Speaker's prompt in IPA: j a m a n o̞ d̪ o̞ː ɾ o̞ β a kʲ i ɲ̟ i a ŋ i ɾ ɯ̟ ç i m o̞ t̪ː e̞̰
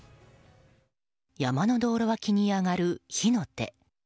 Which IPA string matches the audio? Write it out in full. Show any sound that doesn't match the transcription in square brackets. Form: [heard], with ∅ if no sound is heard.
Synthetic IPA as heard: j a m a n o̞ d̪ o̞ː ɾ o̞ β a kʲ i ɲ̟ i a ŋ [a] ɾ ɯ̟ ç i [n] o̞ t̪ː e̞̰